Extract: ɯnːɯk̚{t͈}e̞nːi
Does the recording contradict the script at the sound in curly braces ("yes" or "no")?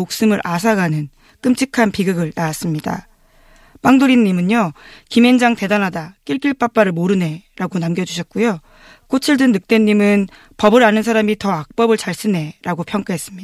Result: no